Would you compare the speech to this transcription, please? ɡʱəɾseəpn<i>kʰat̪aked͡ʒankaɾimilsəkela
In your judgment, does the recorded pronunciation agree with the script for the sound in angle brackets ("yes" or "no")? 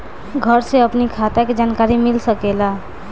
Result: yes